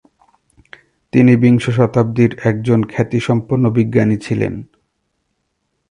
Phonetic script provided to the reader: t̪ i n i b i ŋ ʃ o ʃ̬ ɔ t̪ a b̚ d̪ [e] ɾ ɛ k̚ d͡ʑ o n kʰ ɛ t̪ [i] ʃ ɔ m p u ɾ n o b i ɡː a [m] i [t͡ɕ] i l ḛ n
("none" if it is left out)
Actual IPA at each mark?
i, i, n, t͡ɕʰ

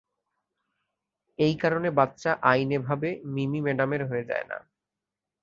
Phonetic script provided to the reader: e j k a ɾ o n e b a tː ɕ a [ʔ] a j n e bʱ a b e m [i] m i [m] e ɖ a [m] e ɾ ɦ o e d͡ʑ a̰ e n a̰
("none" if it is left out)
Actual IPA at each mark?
ʔ, i, m, m

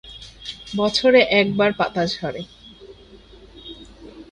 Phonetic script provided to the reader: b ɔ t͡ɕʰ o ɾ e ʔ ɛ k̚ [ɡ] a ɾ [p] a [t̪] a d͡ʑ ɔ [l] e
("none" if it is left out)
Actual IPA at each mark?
b, p, t̪, ɾ

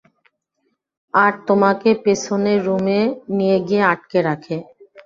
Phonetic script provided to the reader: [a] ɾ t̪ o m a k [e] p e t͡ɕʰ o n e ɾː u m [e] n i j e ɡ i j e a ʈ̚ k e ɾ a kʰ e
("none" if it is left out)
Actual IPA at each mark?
a, e, e

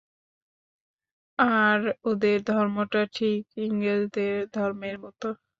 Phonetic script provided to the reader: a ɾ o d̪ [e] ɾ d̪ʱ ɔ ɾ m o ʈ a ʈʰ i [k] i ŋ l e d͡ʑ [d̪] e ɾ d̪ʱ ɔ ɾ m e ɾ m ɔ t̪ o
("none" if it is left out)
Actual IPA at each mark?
e, k, d̪

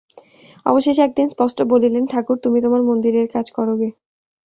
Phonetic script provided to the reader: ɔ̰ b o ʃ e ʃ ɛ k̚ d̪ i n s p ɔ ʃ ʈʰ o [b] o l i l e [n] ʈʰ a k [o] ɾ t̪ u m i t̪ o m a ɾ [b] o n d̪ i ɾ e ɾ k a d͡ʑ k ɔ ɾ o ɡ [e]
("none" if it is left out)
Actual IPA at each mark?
b, n, u, m, e

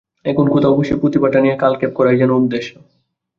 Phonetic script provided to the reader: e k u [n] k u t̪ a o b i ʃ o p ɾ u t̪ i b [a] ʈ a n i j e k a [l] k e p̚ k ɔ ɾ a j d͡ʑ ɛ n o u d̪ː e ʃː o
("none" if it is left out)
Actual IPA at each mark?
n, a, l

